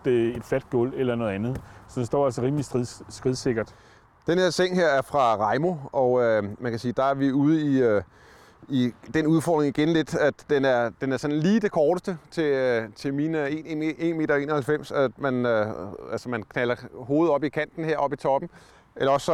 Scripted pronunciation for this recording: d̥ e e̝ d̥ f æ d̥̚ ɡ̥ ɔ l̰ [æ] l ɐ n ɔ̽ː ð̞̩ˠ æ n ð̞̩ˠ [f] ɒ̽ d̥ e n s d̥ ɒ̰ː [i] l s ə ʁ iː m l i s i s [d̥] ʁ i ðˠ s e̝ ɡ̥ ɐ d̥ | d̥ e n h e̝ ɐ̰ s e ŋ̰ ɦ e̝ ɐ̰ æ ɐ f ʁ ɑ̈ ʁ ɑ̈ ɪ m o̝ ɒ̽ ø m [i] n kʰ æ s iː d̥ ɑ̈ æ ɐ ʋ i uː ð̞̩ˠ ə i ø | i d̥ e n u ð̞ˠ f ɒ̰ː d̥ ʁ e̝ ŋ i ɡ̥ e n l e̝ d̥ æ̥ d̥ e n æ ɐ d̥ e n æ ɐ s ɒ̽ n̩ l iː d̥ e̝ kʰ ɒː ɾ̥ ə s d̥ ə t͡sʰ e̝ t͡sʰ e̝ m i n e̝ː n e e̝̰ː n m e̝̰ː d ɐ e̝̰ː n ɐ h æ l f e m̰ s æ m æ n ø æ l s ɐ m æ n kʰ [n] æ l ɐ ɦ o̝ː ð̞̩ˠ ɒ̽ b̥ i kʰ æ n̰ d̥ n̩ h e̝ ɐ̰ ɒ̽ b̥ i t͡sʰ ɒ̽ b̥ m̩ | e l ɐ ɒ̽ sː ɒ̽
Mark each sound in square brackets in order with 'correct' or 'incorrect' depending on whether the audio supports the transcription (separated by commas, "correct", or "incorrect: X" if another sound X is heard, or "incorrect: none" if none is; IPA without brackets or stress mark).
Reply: incorrect: e, incorrect: s, incorrect: æ, incorrect: ɡ̥, incorrect: æ, correct